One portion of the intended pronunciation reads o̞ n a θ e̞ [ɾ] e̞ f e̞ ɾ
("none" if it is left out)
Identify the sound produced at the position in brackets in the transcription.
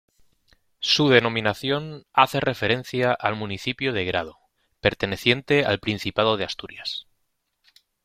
r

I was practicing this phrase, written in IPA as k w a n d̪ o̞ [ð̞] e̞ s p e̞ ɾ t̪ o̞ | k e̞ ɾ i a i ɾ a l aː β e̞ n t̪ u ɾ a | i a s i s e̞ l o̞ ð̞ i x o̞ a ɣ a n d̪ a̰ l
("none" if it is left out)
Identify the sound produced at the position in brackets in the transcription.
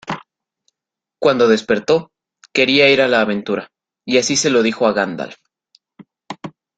ð̞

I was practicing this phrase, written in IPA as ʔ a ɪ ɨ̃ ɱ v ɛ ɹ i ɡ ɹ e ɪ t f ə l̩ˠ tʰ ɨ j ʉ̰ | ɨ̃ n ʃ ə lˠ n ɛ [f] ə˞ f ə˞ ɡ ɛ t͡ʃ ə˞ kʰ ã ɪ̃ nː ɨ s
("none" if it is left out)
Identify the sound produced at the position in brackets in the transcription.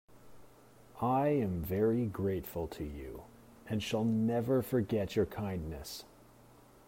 v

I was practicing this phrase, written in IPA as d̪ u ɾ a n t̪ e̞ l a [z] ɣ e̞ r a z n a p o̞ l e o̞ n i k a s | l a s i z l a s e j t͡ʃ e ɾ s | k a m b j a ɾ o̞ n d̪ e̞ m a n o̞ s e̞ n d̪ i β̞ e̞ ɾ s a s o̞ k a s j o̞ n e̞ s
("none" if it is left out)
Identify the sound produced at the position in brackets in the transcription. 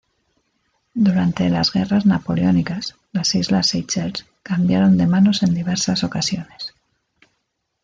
z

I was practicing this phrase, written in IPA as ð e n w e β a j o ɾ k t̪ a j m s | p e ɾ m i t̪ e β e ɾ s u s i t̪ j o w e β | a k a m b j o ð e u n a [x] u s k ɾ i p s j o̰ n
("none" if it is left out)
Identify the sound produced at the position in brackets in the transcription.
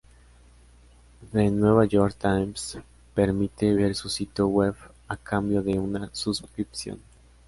s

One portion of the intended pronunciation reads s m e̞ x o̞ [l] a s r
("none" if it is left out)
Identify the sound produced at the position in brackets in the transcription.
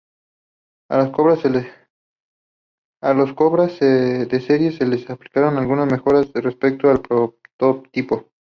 ɾ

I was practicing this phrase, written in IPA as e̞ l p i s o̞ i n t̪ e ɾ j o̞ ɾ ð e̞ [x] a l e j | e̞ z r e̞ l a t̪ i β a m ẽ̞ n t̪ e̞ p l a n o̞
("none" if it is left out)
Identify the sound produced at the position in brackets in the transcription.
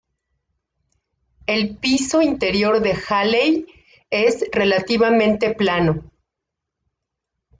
x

